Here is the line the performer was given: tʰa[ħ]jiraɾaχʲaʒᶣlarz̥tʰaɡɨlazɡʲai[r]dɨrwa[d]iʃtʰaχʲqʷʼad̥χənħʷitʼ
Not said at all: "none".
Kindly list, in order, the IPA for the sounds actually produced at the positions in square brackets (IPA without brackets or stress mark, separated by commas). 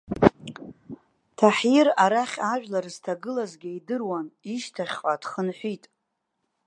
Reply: ħ, none, n